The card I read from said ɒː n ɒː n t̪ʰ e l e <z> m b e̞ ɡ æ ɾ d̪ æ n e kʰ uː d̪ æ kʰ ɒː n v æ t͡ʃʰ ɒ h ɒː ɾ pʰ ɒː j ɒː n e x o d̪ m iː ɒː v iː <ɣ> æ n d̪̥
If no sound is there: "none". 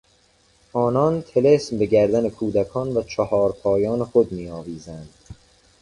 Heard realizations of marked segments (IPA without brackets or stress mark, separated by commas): s, z